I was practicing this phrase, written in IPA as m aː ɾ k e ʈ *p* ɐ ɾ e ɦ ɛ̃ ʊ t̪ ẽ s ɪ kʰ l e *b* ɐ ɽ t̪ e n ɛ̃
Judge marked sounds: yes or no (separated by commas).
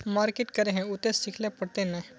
no, no